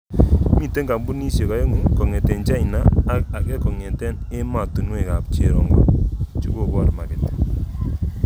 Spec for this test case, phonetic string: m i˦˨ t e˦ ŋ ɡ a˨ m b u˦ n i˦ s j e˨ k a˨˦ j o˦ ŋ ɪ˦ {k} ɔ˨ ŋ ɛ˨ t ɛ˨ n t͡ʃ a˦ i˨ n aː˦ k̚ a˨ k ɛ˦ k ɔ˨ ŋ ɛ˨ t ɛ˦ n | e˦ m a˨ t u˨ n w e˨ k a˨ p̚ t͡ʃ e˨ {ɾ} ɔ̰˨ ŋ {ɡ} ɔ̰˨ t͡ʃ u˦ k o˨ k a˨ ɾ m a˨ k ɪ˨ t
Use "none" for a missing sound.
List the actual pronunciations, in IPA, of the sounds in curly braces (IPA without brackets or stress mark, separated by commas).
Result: k, ɾ, ɡ